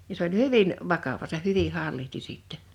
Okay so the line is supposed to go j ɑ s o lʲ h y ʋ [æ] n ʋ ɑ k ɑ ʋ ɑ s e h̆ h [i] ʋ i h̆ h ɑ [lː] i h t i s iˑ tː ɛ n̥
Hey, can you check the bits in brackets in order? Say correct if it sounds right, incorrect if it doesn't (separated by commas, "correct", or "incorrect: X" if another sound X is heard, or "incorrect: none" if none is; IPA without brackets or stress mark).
incorrect: i, incorrect: y, correct